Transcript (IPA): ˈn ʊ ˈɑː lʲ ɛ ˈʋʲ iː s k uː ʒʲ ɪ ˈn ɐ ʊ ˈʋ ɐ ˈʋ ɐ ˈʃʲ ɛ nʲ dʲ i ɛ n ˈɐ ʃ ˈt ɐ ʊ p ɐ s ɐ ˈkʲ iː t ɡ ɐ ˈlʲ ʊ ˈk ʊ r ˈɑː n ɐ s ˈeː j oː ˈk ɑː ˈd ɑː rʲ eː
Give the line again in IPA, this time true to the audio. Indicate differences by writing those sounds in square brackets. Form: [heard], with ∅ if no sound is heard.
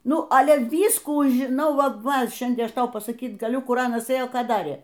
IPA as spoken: ˈn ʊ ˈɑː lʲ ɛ ˈʋʲ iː s k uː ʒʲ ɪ ˈn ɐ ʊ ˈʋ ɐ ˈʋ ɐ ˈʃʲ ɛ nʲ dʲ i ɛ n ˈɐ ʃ ˈt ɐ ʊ p ɐ s ɐ ˈkʲ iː t ɡ ɐ ˈlʲ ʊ ˈk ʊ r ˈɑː n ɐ s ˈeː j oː ˈk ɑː ˈd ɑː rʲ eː